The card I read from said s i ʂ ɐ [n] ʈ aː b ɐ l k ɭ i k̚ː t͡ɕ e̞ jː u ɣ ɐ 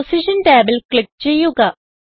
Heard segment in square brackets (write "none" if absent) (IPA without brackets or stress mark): n